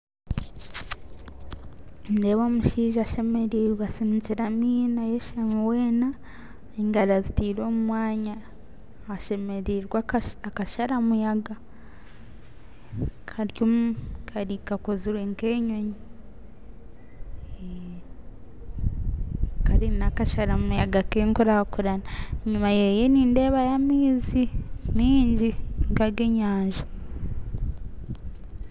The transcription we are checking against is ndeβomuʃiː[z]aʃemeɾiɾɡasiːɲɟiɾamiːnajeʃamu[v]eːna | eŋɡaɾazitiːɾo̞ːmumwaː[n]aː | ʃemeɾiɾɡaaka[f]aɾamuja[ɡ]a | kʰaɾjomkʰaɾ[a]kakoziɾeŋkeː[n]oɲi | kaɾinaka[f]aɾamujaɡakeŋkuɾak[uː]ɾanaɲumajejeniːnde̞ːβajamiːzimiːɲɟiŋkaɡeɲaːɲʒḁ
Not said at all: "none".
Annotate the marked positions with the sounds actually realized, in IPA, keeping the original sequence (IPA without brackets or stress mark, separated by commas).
ʒ, w, ɲ, ʃ, ɡ, i, ɲ, ʃ, u